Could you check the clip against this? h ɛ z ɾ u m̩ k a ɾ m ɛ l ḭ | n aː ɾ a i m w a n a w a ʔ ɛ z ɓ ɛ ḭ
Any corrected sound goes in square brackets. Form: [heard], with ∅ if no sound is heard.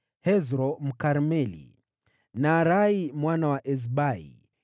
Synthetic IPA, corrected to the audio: h ɛ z ɾ [ɔ] m̩ k a ɾ m ɛ l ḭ | n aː ɾ a i m w a n a w a ʔ ɛ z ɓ [a] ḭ